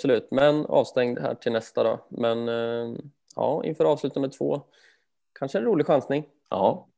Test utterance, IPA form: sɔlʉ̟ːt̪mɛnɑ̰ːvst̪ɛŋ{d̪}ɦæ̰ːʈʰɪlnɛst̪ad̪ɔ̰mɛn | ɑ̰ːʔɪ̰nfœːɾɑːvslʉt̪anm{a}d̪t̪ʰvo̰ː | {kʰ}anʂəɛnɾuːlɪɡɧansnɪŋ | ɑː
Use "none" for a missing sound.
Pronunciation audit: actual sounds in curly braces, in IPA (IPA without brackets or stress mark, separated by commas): d̪, ɛ, kʰ